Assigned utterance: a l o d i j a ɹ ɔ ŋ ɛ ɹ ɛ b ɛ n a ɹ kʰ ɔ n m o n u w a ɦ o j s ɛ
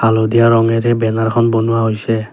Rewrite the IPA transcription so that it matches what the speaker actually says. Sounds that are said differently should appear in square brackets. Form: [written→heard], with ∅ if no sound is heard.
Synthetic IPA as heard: a l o d i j a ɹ ɔ ŋ ɛ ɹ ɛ b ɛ n a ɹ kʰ ɔ n [m→b] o n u w a ɦ o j s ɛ

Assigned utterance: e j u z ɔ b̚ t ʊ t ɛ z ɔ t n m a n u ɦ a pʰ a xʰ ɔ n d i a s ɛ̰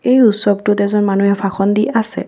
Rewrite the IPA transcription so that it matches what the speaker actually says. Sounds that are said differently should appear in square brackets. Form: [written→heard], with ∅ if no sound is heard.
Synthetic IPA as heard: e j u [z→s] ɔ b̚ t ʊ t ɛ z ɔ [t→∅] n m a n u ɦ [a→ɛ] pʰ a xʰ ɔ n d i a s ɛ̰

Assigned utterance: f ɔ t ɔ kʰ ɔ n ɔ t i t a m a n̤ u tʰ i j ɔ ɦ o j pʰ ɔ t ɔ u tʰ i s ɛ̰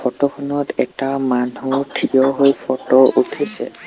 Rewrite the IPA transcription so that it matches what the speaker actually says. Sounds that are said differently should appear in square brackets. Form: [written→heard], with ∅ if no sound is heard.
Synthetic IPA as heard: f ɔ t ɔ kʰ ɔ n ɔ t [i→ɛ] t a m a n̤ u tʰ i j ɔ ɦ o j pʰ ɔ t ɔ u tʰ i s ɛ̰

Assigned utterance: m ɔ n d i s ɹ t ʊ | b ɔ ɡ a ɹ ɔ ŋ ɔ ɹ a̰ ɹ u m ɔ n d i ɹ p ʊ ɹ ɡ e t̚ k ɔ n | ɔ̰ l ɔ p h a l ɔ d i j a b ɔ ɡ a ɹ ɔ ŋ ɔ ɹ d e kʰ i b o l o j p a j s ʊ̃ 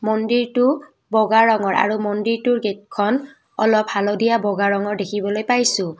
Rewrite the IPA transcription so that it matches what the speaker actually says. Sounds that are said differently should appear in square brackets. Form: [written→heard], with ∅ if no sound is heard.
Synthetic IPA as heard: m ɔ n d i [s→∅] ɹ t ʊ | b ɔ ɡ a ɹ ɔ ŋ ɔ ɹ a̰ ɹ u m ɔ n d i ɹ [p→t] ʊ ɹ ɡ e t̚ [k→kʰ] ɔ n | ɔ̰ l ɔ p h a l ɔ d i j a b ɔ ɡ a ɹ ɔ ŋ ɔ ɹ d e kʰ i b [o→ɔ] l o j p a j s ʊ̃

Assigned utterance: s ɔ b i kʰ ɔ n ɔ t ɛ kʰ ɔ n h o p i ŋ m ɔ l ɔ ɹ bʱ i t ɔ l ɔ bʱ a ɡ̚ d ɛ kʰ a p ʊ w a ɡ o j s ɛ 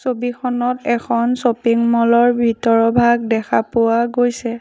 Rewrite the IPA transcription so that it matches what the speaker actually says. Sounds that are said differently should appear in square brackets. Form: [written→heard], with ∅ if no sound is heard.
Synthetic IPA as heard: s [ɔ→o] b i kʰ ɔ n ɔ t ɛ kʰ ɔ n [h→s] o p i ŋ m ɔ l ɔ ɹ bʱ i t ɔ [l→ɹ] ɔ bʱ a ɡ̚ d ɛ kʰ a p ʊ w a ɡ o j s ɛ

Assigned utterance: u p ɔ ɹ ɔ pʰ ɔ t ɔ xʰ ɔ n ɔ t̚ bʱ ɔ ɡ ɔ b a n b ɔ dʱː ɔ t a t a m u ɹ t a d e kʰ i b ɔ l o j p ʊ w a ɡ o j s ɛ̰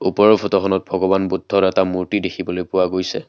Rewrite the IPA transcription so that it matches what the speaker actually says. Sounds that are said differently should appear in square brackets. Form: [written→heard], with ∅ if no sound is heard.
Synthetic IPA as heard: u p ɔ ɹ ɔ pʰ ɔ t ɔ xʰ ɔ n ɔ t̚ bʱ ɔ ɡ ɔ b a n b [ɔ→u] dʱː ɔ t [a→ɛ] t a m u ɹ t [a→i] d e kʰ i b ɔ l o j p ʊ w a ɡ o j s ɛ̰

